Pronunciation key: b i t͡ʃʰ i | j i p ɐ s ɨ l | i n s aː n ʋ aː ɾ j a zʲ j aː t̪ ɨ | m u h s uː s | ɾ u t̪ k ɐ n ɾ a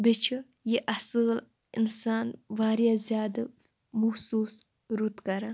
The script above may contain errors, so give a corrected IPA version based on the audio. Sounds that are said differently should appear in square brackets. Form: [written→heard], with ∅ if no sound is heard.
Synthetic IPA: b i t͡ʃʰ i | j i [p→ʔ] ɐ s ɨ l | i n s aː n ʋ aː ɾ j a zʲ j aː [t̪→d̪] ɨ | m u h s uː s | ɾ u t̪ k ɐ [n→∅] ɾ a